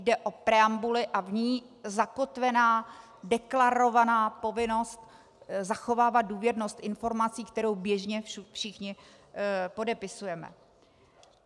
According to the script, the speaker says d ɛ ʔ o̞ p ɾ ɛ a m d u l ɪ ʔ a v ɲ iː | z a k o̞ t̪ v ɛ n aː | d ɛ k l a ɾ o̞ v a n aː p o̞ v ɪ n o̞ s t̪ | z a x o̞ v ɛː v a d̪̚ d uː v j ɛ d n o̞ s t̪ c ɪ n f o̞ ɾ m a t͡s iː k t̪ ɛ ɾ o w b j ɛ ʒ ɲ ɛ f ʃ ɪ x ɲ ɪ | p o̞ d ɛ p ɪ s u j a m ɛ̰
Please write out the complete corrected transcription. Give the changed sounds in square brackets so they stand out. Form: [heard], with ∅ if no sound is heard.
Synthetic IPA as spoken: d ɛ ʔ o̞ p ɾ ɛ a m [b] u l ɪ ʔ a v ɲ iː | z a k o̞ t̪ v ɛ n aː | d ɛ k l a ɾ o̞ v a n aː p o̞ v ɪ n o̞ s t̪ | z a x o̞ v [aː] v a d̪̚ d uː v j ɛ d n o̞ s t̪ [ʔ] ɪ n f o̞ ɾ m a t͡s iː k t̪ ɛ ɾ o w b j ɛ ʒ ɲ ɛ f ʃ ɪ x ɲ ɪ | p o̞ d ɛ p ɪ s u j [ɛ] m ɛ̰